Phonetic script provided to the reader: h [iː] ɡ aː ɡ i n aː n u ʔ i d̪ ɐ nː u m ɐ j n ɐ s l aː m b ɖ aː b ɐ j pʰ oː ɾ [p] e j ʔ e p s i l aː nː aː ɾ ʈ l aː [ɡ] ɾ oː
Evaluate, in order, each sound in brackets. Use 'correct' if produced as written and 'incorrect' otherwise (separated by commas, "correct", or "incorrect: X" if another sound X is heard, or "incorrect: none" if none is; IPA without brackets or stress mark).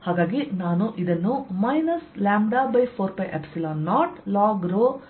incorrect: aː, correct, correct